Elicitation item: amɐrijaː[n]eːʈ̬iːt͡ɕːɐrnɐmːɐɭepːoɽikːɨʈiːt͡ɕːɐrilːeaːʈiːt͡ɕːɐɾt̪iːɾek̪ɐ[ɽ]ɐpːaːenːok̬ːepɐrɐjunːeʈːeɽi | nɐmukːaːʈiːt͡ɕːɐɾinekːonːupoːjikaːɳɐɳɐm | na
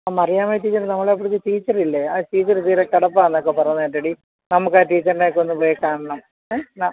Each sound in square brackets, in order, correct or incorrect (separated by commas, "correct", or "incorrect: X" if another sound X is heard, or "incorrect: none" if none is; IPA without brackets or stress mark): incorrect: m, correct